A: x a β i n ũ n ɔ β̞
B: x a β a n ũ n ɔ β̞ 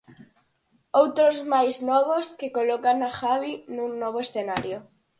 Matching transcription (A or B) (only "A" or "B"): A